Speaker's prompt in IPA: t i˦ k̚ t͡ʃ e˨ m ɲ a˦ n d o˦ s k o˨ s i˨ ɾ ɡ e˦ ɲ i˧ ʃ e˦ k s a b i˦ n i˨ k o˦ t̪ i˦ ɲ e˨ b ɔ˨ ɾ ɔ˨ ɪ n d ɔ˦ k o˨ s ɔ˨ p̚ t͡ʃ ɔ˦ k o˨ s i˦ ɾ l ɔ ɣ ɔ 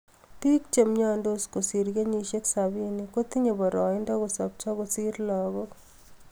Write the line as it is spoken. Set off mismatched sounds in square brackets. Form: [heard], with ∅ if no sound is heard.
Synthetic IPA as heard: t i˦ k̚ t͡ʃ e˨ m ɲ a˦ n d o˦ s k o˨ s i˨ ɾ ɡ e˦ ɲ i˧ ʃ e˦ k s a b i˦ n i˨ k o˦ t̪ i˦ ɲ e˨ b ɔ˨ ɾ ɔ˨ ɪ n d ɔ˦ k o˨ s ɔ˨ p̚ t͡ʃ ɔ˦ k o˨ s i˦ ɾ l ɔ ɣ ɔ